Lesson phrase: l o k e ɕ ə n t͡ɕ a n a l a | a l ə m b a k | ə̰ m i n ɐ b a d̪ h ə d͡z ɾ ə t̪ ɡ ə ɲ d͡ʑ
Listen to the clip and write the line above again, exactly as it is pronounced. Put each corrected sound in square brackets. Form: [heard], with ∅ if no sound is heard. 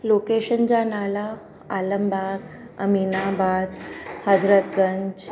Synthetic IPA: l o k e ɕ ə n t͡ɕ a n a l a | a l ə m b a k | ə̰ m i n [a] b a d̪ h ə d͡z ɾ ə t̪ ɡ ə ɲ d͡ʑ